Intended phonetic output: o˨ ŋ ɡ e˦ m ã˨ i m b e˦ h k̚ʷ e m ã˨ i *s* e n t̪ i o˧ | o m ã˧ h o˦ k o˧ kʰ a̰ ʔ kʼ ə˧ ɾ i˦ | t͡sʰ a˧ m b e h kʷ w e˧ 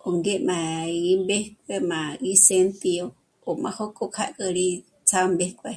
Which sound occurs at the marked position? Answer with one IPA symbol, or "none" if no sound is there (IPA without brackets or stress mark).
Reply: s